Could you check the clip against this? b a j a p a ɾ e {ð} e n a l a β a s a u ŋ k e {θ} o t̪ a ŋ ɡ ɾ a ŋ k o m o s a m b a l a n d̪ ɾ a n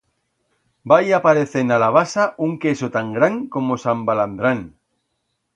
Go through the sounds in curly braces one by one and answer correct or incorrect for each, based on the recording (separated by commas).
incorrect, incorrect